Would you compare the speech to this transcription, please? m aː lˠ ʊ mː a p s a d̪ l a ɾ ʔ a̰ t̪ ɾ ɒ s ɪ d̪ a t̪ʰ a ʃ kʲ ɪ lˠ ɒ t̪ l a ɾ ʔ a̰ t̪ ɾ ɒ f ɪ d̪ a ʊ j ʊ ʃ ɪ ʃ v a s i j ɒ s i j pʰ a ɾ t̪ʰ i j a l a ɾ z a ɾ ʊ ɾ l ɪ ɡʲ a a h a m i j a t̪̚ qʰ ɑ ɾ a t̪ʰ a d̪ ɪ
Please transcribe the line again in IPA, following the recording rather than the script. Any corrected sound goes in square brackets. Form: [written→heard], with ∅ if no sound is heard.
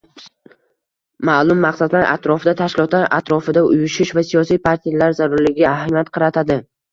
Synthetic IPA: m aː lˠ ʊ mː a [p→q] s a d̪ l a ɾ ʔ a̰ t̪ ɾ ɒ [s→f] ɪ d̪ a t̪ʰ a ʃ kʲ ɪ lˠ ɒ t̪ l a ɾ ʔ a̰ t̪ ɾ ɒ f ɪ d̪ a ʊ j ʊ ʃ ɪ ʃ v a s i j ɒ s i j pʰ a ɾ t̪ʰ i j a l a ɾ z a ɾ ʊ ɾ l ɪ ɡʲ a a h a m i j a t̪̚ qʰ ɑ ɾ a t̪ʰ a d̪ ɪ